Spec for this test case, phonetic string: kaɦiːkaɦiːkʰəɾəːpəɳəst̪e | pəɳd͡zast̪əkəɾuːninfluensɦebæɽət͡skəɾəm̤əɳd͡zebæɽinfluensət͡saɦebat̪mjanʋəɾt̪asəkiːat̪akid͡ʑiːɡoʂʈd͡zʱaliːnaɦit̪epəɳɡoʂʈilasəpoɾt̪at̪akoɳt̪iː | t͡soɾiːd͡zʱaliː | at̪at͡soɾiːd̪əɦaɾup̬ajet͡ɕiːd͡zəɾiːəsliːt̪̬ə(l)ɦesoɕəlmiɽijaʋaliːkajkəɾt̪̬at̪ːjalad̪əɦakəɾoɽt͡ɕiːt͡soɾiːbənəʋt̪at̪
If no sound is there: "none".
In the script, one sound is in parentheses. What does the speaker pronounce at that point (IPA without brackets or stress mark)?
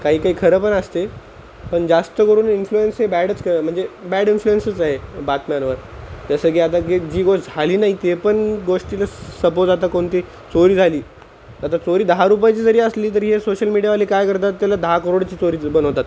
ɾ